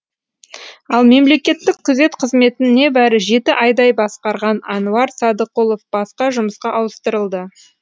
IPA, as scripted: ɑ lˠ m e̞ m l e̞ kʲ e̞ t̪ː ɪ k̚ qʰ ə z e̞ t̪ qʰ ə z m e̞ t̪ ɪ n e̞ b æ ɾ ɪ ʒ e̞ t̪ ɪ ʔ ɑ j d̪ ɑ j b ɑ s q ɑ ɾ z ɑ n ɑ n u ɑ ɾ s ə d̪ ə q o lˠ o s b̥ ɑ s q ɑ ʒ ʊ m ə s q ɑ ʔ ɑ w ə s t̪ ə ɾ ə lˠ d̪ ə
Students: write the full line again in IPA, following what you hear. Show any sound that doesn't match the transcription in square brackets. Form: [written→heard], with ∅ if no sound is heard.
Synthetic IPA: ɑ lˠ m e̞ m l e̞ kʲ e̞ t̪ː ɪ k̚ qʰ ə z e̞ t̪ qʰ ə z m e̞ t̪ ɪ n e̞ b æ ɾ ɪ ʒ e̞ t̪ ɪ ʔ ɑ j d̪ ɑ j b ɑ s q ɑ ɾ [z→ʁ] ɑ n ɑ n u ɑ ɾ s [ə→ɑ] d̪ ə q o lˠ o [s→f] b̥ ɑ s q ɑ ʒ ʊ m ə s q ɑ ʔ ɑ w ə s t̪ ə ɾ ə lˠ d̪ ə

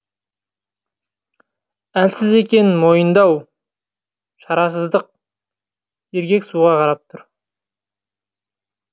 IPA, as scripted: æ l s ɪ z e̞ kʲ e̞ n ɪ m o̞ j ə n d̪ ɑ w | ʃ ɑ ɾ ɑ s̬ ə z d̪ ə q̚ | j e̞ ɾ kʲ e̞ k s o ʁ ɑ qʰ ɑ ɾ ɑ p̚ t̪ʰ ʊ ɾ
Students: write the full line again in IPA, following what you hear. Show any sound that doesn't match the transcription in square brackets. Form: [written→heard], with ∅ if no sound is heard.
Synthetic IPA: æ l s ɪ z e̞ kʲ e̞ n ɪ m o̞ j ə n d̪ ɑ w | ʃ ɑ ɾ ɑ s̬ ə z d̪ ə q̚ | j e̞ ɾ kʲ e̞ k s [o→u] ʁ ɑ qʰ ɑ ɾ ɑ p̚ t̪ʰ ʊ ɾ

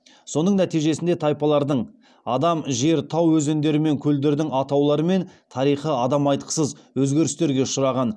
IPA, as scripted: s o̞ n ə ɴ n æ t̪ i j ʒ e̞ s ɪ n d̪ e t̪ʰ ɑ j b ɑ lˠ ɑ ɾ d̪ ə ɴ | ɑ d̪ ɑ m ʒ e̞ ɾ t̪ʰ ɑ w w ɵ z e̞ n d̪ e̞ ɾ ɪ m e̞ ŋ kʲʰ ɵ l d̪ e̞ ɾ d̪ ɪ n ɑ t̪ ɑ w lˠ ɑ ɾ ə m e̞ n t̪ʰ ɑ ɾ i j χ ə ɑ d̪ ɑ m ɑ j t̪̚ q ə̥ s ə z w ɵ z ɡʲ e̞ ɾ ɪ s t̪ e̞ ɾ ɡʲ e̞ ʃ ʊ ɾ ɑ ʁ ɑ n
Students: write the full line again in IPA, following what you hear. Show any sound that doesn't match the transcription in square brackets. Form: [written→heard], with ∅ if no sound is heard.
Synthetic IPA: s o̞ n ə ɴ n æ t̪ i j ʒ e̞ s ɪ n d̪ e t̪ʰ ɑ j [b→p] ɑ lˠ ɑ ɾ d̪ ə ɴ | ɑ d̪ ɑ m ʒ e̞ ɾ t̪ʰ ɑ w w ɵ z e̞ n d̪ e̞ ɾ ɪ m e̞ ŋ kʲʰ ɵ l d̪ e̞ ɾ d̪ ɪ [n→ŋ] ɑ t̪ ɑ w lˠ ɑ ɾ ə m e̞ n t̪ʰ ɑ ɾ i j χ ə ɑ d̪ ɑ m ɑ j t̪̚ q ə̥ s ə z w ɵ z ɡʲ e̞ ɾ ɪ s t̪ e̞ ɾ ɡʲ e̞ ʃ ʊ ɾ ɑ ʁ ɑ n

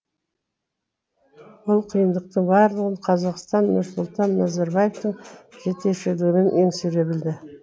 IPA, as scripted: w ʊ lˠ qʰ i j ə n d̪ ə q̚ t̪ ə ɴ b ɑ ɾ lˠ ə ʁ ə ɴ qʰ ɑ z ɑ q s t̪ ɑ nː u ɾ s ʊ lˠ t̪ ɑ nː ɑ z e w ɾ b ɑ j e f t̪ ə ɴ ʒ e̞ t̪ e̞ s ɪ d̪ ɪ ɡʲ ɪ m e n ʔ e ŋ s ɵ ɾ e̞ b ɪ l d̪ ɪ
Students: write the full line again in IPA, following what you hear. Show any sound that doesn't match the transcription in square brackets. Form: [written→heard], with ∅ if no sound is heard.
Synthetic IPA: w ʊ lˠ qʰ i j ə n d̪ ə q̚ t̪ ə ɴ b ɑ ɾ lˠ ə ʁ ə ɴ qʰ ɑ z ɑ q s t̪ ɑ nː [u→ʊ] ɾ s ʊ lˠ t̪ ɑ nː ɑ z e [w→∅] ɾ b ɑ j e f t̪ ə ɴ ʒ e̞ t̪ e̞ [s→ʃ] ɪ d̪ ɪ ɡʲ ɪ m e n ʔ e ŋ s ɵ ɾ e̞ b ɪ l d̪ ɪ

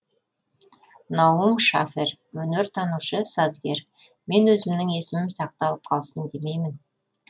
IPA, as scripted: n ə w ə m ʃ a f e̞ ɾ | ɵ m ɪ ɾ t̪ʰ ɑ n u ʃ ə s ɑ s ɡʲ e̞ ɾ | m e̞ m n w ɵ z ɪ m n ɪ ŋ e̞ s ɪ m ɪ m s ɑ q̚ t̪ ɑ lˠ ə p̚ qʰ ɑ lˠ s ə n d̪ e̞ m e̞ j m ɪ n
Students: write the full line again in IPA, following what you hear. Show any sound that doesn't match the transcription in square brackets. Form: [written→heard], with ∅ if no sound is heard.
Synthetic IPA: n [ə→ɑ] w ə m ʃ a f e̞ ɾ | ɵ [m→n] ɪ ɾ t̪ʰ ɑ n u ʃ ə s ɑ [s→z] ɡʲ e̞ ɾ | m e̞ [m→∅] n w ɵ z ɪ m n ɪ ŋ e̞ s ɪ m ɪ m s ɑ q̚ t̪ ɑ lˠ ə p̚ qʰ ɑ lˠ s ə n d̪ e̞ m e̞ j m ɪ n

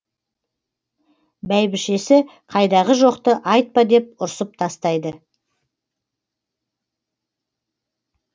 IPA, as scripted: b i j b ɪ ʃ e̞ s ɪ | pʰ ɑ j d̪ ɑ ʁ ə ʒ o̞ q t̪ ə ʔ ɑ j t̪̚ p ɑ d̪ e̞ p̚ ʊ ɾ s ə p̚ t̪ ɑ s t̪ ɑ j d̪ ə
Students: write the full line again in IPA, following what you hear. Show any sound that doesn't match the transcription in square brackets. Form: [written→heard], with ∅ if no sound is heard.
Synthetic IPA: b [i→æ] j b ɪ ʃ e̞ s ɪ | [pʰ→qʰ] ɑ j d̪ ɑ ʁ ə ʒ o̞ q t̪ ə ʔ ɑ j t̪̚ p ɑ d̪ e̞ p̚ ʊ ɾ s ə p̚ [t̪→t̪ʰ] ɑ s t̪ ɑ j d̪ ə

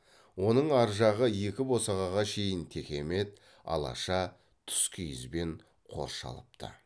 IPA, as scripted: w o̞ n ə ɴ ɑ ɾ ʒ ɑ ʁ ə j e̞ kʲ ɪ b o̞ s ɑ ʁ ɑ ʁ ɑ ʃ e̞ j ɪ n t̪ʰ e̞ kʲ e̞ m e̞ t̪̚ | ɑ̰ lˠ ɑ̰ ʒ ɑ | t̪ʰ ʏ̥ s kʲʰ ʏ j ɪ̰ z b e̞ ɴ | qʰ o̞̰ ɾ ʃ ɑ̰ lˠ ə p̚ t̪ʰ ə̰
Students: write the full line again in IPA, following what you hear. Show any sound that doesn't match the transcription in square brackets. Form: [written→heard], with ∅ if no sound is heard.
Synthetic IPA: w o̞ n ə ɴ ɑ ɾ ʒ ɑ ʁ ə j e̞ kʲ ɪ b o̞ s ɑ ʁ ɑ ʁ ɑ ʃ e̞ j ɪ n t̪ʰ e̞ kʲ e̞ m e̞ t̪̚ | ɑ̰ lˠ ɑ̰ [ʒ→ʃ] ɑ | t̪ʰ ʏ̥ s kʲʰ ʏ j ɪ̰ z b e̞ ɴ | qʰ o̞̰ ɾ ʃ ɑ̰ lˠ ə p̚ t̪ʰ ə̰

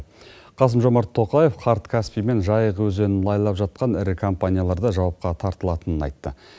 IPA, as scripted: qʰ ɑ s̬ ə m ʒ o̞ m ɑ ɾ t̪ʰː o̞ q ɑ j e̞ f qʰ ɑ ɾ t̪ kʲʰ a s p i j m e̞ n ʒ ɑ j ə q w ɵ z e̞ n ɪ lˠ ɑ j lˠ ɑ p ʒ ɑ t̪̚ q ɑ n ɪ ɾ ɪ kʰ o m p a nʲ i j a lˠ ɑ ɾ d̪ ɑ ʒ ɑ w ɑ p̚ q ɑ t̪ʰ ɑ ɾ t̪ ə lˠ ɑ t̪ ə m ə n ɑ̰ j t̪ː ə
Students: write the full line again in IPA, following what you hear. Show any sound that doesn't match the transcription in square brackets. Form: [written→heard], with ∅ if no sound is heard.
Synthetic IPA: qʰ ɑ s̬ ə m ʒ o̞ m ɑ ɾ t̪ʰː o̞ q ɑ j e̞ f qʰ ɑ ɾ t̪ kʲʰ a s p i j m e̞ n ʒ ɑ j ə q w ɵ z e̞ n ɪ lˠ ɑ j lˠ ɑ p ʒ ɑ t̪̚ q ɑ n ɪ ɾ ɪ kʰ o m p a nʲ i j a lˠ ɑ ɾ d̪ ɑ ʒ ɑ w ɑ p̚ q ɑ t̪ʰ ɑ ɾ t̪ ə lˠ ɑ t̪ ə [m→n] ə n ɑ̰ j t̪ː ə

